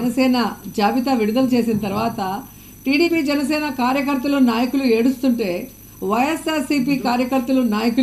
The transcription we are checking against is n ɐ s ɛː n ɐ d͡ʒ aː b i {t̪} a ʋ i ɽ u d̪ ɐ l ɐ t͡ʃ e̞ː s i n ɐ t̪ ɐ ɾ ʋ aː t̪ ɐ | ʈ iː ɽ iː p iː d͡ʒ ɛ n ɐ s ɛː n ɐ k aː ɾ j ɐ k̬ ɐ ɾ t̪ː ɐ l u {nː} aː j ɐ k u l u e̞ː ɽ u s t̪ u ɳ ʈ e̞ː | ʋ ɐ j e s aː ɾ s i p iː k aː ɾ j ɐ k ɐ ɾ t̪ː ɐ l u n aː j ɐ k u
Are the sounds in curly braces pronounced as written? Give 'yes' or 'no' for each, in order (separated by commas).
yes, no